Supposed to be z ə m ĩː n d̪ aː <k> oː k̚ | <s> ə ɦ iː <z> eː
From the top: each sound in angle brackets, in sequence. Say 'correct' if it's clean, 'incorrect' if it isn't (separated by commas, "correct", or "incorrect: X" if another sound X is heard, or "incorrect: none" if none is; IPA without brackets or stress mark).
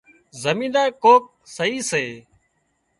correct, correct, incorrect: s